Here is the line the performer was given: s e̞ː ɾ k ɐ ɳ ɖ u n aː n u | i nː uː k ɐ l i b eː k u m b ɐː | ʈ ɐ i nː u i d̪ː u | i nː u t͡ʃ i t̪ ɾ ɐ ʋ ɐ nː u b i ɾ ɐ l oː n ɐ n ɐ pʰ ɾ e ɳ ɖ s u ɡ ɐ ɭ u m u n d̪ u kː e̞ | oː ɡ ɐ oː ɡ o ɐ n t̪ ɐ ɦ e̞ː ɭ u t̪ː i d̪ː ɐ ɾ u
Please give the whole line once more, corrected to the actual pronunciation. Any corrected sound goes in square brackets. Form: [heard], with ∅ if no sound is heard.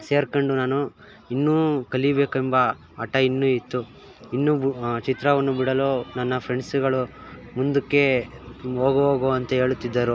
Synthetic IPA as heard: s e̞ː ɾ k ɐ ɳ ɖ u n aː n u | i nː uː k ɐ l i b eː k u m b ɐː | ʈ ɐ i nː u i [t̪ː] u | i nː u t͡ʃ i t̪ ɾ ɐ ʋ ɐ nː u b i [ɽ] ɐ l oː n ɐ [nː] ɐ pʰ ɾ e ɳ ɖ s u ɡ ɐ ɭ u m u n d̪ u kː e̞ | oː ɡ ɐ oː ɡ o ɐ n t̪ ɐ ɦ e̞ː ɭ u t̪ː i d̪ː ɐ ɾ u